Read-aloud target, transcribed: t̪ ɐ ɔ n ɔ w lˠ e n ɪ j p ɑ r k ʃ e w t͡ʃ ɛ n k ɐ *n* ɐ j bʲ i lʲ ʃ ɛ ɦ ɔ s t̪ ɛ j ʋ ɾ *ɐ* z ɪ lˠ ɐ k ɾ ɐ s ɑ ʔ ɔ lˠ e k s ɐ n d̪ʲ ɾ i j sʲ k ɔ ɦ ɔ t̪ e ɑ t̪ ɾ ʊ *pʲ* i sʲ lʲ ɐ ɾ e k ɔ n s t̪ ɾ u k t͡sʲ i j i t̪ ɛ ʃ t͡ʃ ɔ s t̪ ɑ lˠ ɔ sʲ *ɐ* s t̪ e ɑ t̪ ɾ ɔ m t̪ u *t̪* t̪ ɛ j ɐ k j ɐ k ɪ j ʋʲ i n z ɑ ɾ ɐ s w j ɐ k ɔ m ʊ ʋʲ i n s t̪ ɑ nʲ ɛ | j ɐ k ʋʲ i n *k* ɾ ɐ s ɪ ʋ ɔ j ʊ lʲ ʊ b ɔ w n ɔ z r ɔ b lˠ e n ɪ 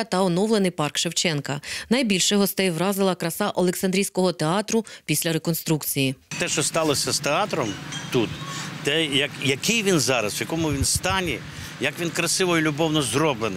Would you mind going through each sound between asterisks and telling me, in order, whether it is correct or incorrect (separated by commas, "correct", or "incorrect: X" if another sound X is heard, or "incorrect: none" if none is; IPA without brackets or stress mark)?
correct, incorrect: ɑ, correct, correct, correct, correct